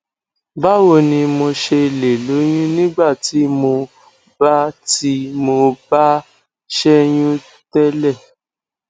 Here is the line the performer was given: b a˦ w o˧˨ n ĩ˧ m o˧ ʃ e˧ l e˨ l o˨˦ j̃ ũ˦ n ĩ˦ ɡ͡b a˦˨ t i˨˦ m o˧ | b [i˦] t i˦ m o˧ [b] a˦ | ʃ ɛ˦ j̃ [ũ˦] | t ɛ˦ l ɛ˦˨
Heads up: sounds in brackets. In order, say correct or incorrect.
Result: incorrect: a˦, correct, correct

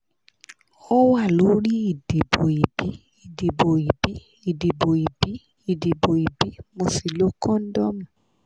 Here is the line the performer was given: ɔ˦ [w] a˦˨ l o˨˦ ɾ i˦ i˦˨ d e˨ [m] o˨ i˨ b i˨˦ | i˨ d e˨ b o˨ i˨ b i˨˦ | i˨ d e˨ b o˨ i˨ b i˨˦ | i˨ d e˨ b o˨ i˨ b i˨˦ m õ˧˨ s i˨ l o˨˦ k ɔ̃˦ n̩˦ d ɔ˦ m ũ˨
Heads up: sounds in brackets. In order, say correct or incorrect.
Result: correct, incorrect: b

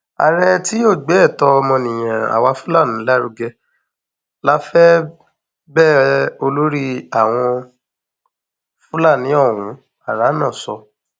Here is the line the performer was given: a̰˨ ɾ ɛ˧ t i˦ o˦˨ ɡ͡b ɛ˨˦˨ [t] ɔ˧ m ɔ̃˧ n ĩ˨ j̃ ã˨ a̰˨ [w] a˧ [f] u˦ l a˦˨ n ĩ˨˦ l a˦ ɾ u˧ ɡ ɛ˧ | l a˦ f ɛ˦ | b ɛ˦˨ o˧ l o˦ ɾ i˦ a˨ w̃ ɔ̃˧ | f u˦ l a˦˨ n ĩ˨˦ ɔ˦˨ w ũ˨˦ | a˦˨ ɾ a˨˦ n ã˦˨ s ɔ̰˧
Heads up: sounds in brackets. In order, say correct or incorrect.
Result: correct, correct, correct

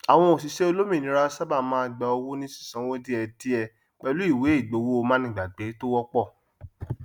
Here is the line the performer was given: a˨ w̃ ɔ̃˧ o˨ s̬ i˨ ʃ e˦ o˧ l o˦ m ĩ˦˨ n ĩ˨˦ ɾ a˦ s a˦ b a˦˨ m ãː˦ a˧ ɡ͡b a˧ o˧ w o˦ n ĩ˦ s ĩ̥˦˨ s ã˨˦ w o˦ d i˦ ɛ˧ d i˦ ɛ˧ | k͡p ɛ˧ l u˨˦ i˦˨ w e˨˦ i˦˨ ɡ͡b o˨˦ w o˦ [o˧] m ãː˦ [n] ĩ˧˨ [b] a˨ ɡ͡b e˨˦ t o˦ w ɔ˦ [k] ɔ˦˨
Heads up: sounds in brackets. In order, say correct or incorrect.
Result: correct, correct, incorrect: ɡ͡b, incorrect: k͡p

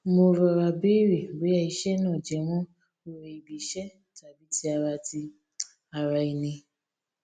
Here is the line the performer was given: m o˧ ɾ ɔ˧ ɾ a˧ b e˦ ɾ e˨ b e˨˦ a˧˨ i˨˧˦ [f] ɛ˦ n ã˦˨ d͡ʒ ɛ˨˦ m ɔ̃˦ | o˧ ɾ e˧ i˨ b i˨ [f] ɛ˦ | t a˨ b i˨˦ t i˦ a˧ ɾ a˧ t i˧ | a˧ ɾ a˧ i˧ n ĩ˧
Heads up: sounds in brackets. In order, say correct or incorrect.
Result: incorrect: ʃ, incorrect: ʃ

